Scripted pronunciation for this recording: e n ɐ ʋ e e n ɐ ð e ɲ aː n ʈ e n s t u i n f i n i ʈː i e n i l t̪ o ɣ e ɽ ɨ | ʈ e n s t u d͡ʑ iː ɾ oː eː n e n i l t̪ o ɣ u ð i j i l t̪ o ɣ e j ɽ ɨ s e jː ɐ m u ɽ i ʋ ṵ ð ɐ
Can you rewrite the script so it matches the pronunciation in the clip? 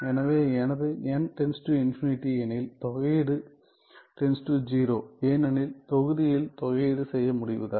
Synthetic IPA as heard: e n ɐ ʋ e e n ɐ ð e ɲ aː n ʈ e n s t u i n f i n i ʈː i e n i l t̪ o ɣ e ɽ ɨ | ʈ e n s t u d͡ʑ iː ɾ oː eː n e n i l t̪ o ɣ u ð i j i l t̪ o ɣ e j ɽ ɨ s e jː ɐ m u ɽ i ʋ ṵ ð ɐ